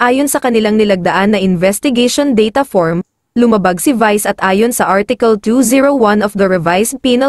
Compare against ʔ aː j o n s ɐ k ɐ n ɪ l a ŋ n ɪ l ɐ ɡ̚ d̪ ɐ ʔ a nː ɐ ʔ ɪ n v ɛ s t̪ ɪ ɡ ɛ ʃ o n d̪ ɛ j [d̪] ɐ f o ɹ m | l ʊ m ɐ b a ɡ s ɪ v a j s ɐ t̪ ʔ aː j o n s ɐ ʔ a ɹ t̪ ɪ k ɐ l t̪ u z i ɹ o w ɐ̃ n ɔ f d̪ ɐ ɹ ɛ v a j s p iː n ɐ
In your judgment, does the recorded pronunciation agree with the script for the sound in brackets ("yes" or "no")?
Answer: no